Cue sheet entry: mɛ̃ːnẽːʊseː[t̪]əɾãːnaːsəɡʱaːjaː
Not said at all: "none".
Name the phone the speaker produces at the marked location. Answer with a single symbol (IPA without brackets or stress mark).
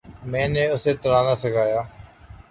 t̪